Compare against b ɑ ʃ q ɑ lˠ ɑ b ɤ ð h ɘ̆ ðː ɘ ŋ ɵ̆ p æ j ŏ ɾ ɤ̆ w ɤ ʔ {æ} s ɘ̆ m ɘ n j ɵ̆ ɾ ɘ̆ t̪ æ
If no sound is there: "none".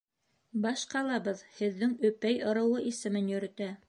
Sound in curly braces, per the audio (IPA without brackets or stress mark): i